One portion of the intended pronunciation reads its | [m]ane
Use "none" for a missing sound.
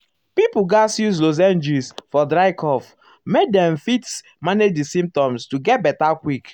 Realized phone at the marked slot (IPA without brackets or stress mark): m